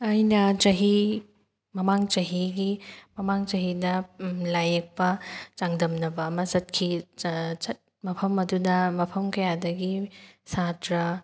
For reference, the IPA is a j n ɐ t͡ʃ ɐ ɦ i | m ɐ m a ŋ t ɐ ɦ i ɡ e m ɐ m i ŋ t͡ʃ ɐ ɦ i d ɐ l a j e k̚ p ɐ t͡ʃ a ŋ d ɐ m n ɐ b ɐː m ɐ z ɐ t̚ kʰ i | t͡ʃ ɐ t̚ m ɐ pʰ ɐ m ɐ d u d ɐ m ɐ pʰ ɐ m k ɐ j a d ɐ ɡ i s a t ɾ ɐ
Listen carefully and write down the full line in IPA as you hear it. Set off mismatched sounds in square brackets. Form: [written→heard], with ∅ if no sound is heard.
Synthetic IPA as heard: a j n ɐ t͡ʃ ɐ ɦ i | m ɐ m a ŋ [t→t͡ʃ] ɐ ɦ i ɡ [e→i] m ɐ m [i→a] ŋ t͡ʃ ɐ ɦ i d ɐ l a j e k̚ p ɐ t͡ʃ a ŋ d ɐ m n ɐ b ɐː m ɐ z ɐ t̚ kʰ i | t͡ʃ ɐ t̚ m ɐ pʰ ɐ m ɐ d u d ɐ m ɐ pʰ ɐ m k ɐ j a d ɐ ɡ i s a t ɾ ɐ